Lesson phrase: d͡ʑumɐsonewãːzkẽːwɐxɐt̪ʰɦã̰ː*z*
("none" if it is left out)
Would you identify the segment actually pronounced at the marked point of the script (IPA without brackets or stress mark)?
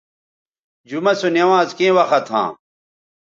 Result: none